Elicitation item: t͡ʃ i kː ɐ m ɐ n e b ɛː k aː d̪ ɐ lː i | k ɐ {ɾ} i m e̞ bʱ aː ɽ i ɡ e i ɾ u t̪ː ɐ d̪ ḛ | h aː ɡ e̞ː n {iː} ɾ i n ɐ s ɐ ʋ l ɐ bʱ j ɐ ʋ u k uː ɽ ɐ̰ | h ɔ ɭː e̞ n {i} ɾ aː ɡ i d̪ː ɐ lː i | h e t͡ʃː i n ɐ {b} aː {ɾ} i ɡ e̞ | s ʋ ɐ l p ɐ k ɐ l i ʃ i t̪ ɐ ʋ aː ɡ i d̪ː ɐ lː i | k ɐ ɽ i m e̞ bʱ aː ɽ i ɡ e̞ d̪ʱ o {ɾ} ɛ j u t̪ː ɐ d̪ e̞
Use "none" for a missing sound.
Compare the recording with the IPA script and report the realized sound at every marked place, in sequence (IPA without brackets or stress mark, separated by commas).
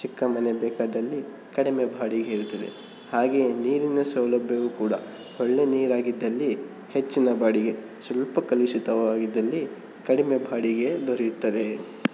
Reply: ɽ, iː, iː, b, ɽ, ɾ